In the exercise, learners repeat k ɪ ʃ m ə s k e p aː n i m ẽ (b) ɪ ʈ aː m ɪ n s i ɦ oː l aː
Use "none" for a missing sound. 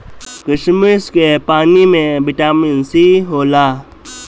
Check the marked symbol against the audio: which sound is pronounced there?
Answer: b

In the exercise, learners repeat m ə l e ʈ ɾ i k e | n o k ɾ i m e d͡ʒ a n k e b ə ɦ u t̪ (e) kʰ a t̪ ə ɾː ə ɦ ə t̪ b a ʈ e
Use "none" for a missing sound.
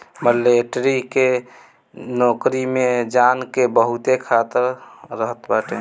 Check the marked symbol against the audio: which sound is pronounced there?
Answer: e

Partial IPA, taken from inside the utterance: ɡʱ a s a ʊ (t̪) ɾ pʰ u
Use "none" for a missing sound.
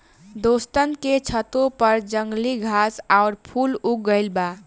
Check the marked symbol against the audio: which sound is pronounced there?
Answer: none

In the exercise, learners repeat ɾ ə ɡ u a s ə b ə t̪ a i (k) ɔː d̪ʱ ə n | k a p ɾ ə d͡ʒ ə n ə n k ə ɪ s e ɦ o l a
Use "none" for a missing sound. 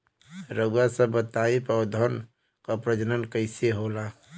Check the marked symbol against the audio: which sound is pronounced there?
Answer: p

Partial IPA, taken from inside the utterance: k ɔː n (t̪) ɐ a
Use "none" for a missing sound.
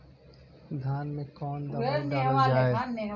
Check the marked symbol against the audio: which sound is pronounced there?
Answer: d̪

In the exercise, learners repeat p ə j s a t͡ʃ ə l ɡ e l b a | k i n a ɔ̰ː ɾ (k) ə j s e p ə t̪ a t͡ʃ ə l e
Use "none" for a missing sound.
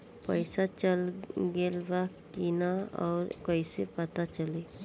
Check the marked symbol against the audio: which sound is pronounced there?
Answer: k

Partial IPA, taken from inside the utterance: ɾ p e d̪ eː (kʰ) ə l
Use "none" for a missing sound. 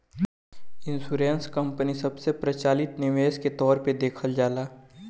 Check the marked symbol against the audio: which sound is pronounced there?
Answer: kʰ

